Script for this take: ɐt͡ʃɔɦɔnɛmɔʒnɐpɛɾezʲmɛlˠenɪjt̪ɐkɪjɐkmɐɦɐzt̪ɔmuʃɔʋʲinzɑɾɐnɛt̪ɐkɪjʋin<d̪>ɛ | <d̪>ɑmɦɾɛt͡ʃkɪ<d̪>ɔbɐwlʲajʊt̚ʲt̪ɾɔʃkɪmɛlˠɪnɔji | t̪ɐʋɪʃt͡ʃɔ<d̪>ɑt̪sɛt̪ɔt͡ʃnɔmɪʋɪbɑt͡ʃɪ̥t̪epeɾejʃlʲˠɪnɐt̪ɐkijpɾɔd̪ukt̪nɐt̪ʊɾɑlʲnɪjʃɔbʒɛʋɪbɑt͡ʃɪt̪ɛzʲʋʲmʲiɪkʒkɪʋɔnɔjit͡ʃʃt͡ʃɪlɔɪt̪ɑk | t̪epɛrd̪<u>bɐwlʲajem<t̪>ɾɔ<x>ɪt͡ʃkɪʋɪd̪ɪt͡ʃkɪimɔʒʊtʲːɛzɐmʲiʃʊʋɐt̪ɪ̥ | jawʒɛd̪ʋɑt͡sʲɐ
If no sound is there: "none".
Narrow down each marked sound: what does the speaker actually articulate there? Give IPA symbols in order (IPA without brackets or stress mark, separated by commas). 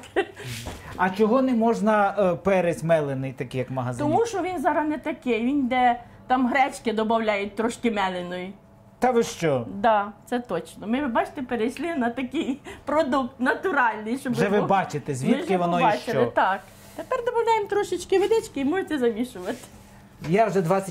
d̪, t̪, d̪, d̪, ɔ, t̪, ʃ